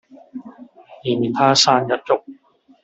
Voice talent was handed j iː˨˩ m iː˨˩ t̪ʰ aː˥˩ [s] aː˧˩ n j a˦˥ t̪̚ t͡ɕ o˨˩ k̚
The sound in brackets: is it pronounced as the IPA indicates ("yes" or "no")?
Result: yes